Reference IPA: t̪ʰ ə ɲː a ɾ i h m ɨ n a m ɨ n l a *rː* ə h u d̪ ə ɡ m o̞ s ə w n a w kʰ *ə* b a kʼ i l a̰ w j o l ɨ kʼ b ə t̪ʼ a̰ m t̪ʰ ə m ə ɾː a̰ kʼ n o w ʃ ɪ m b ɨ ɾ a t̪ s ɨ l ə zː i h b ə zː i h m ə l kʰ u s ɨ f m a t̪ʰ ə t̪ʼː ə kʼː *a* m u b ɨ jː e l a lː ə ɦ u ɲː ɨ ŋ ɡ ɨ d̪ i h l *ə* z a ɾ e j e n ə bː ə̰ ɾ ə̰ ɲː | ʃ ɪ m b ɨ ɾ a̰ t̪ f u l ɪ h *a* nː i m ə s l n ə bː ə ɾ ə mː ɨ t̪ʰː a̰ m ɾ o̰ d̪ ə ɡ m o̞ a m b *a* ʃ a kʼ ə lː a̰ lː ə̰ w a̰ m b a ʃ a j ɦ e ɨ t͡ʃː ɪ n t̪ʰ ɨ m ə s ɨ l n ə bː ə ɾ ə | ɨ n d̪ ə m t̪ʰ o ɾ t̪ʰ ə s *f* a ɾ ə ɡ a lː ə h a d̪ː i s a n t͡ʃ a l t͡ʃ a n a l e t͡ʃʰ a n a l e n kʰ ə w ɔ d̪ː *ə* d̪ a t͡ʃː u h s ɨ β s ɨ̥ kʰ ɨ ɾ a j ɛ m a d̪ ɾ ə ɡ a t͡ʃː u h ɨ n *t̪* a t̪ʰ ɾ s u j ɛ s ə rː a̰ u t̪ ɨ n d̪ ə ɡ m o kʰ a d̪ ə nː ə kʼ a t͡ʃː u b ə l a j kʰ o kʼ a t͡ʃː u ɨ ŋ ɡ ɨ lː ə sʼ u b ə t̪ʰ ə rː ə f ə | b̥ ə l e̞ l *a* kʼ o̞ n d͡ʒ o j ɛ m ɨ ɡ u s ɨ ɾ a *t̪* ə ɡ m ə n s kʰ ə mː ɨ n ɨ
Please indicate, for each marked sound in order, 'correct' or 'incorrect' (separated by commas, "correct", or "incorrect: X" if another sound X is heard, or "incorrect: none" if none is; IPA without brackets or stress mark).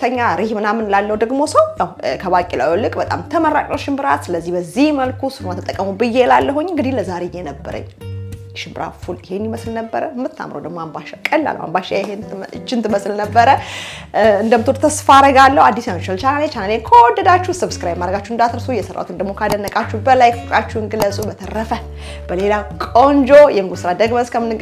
incorrect: lː, correct, incorrect: ə, correct, incorrect: e, correct, correct, correct, incorrect: d̪, correct, incorrect: d̪